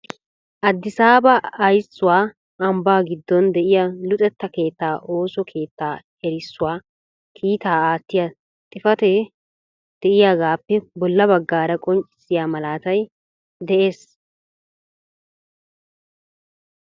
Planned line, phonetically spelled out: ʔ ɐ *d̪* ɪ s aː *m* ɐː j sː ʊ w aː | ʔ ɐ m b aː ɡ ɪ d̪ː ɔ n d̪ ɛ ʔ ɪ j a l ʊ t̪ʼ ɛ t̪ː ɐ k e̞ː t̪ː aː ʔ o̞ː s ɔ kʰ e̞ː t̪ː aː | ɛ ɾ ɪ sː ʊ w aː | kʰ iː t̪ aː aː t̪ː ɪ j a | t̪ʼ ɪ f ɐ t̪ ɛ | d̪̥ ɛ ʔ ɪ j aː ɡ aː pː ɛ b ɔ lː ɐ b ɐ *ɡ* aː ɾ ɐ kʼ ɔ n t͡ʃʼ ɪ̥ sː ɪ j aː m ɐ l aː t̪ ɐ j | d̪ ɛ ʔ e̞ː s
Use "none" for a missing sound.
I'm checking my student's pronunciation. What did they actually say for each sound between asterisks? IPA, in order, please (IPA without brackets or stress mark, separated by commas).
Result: d̪ː, b, ɡː